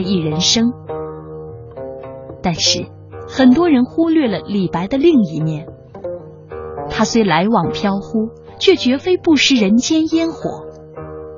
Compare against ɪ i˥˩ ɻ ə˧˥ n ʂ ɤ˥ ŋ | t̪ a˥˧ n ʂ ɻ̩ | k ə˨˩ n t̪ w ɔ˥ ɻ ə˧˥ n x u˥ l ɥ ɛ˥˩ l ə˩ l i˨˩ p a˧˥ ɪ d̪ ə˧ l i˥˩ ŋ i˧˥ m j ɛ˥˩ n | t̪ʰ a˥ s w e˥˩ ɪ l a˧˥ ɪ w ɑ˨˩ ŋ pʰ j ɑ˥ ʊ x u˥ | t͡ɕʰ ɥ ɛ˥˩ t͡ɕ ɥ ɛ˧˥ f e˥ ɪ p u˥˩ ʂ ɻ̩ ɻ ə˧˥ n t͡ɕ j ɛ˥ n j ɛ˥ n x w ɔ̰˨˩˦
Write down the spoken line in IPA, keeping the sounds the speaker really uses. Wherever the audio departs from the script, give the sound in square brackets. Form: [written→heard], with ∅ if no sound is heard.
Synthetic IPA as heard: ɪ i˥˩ ɻ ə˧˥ n ʂ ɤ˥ ŋ | t̪ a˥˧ n ʂ ɻ̩ | [k→x] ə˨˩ n t̪ w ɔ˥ ɻ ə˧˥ n x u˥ l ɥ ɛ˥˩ l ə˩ l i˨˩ p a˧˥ ɪ d̪ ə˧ l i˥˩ ŋ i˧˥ m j ɛ˥˩ n | t̪ʰ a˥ s w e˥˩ ɪ l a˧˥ ɪ w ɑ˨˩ ŋ pʰ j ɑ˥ ʊ x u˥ | t͡ɕʰ ɥ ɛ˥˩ t͡ɕ ɥ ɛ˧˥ f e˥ ɪ p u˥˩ ʂ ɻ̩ ɻ ə˧˥ n t͡ɕ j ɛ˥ n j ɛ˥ n x w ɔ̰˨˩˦